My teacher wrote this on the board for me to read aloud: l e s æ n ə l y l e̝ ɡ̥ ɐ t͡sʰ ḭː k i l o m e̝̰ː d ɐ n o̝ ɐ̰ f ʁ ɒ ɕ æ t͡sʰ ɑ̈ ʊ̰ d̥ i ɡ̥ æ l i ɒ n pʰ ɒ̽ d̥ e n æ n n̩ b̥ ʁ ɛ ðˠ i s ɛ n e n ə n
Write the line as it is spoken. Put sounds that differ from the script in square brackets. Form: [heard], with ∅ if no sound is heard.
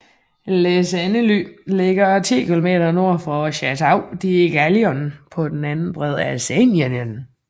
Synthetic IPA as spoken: l e s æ n ə l y l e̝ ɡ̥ ɐ t͡sʰ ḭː k i l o m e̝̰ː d ɐ n o̝ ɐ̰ f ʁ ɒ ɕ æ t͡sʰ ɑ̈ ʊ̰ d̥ i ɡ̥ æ l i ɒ n pʰ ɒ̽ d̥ e n æ n n̩ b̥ ʁ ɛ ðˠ [æ] s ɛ n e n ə n